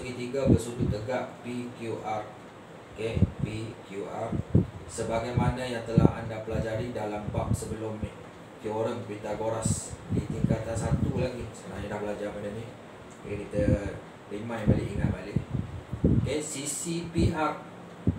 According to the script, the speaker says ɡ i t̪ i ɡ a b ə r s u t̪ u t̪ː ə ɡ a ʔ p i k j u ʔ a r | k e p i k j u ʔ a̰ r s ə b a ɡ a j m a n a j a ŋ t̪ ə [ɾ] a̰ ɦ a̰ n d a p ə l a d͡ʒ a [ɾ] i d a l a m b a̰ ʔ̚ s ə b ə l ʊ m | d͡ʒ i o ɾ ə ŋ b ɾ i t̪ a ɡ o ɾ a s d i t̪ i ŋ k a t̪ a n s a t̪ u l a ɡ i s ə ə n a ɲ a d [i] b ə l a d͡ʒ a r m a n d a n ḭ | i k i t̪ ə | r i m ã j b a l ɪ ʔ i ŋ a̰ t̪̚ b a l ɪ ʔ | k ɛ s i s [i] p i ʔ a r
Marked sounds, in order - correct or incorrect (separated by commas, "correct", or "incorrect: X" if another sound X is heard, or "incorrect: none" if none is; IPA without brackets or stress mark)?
incorrect: l, correct, incorrect: a, correct